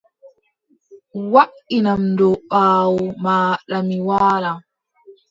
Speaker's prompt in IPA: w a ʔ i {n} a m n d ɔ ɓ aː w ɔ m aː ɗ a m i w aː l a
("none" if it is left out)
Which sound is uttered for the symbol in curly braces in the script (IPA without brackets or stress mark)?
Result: n